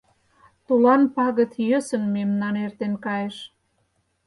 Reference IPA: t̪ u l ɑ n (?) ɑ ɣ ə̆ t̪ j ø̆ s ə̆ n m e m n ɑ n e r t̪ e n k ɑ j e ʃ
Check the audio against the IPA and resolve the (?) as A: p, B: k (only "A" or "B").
A